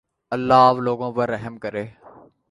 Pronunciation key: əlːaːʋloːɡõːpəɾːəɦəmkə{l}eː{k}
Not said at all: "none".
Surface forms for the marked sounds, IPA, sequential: ɾ, none

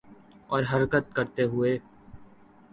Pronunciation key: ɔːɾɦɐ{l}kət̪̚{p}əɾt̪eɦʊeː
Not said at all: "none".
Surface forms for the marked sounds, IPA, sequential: ɾ, k

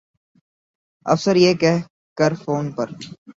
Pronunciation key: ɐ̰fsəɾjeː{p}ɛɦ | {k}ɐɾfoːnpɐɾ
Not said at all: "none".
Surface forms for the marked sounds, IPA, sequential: k, k

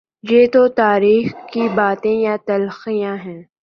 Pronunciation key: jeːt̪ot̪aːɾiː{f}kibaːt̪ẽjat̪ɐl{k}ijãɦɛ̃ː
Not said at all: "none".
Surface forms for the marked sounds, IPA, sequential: x, x

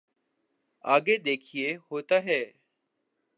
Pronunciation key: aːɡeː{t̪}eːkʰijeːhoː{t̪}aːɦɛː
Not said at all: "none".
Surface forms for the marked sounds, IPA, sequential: d̪, t̪

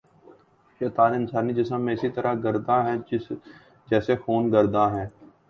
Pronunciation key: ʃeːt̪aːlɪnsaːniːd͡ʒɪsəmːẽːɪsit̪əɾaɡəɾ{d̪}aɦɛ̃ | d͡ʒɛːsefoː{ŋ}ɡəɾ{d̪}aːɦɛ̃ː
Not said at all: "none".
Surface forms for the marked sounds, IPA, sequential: d̪, n, d̪

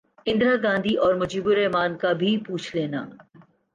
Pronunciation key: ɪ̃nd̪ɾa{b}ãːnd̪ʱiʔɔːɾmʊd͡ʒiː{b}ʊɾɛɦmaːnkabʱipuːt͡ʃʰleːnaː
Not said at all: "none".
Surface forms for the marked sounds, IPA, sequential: ɡ, b

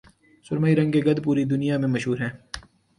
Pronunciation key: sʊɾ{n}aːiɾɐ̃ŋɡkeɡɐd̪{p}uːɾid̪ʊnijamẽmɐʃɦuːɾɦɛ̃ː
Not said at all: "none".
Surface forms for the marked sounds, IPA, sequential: m, p

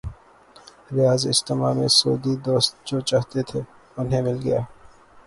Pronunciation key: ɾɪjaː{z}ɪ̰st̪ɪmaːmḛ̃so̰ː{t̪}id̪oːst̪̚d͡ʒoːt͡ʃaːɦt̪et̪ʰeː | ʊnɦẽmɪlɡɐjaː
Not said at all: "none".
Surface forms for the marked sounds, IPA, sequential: z, d̪

